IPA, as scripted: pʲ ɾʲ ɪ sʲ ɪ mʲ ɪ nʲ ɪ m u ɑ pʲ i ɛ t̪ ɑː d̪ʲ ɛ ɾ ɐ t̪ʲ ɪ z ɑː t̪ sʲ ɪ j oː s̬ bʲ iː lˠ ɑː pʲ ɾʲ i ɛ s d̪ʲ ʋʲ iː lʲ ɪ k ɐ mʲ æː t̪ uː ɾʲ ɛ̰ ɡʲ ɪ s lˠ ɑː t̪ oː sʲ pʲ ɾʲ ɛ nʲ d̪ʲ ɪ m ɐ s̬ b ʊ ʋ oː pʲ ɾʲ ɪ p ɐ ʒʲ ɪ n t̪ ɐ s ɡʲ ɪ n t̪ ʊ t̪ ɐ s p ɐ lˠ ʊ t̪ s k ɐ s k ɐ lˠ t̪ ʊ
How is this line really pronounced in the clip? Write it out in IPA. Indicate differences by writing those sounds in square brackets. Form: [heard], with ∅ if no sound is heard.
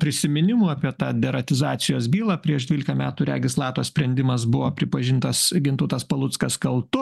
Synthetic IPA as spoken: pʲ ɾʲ ɪ sʲ ɪ mʲ ɪ nʲ ɪ m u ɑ pʲ i ɛ t̪ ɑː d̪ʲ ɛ ɾ ɐ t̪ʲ ɪ z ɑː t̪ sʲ ɪ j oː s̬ bʲ iː lˠ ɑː pʲ ɾʲ i ɛ [ʃ] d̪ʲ ʋʲ iː lʲ ɪ k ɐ mʲ æː t̪ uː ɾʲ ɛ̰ ɡʲ ɪ s lˠ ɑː t̪ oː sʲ pʲ ɾʲ ɛ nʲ d̪ʲ ɪ m ɐ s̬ b ʊ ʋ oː pʲ ɾʲ ɪ p ɐ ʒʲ ɪ n t̪ ɐ s ɡʲ ɪ n t̪ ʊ t̪ ɐ s p ɐ lˠ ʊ t̪ s k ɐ s k ɐ lˠ t̪ ʊ